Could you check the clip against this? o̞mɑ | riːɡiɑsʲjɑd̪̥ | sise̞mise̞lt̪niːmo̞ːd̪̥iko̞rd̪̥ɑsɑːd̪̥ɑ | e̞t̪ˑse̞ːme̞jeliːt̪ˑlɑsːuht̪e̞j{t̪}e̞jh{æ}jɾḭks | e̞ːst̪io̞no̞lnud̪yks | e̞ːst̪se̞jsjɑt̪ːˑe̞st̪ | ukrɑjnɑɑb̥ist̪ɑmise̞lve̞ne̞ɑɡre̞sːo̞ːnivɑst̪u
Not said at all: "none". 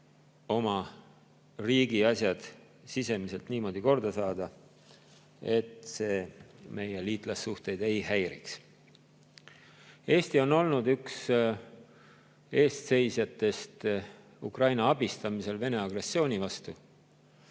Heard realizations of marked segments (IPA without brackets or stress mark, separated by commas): d̪, æ